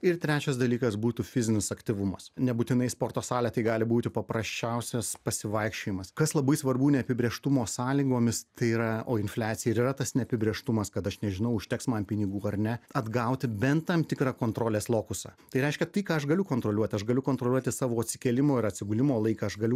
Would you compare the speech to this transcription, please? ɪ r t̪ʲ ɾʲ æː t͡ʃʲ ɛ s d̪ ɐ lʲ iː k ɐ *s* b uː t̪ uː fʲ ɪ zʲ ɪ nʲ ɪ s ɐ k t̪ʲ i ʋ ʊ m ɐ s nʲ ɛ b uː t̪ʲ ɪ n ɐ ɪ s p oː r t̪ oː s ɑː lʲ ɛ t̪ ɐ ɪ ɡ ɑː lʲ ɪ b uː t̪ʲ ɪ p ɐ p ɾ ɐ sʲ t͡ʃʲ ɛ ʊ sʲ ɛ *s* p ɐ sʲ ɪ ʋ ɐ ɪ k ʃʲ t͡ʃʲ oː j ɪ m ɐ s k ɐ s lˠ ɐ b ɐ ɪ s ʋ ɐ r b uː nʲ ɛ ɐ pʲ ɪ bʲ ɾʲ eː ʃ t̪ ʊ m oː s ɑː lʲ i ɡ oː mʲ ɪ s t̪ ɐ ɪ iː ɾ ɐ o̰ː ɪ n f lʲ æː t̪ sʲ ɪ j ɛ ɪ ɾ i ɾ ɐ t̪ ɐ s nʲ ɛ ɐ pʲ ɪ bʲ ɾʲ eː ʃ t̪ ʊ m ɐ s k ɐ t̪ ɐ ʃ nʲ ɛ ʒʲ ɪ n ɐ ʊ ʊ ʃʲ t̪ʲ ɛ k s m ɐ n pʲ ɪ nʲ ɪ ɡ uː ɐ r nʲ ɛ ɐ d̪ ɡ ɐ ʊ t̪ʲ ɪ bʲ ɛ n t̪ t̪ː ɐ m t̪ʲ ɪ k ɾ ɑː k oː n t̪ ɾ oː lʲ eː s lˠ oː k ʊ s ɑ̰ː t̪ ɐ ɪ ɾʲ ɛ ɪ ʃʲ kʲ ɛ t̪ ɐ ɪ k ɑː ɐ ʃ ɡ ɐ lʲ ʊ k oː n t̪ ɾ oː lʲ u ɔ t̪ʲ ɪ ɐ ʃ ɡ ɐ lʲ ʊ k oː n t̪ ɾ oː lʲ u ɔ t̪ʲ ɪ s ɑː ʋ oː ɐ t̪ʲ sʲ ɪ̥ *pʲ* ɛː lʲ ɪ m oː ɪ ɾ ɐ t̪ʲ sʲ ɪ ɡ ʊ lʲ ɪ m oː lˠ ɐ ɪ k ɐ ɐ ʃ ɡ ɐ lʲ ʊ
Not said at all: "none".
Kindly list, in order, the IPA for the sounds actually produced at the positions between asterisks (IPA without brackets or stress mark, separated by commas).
s, s, kʲ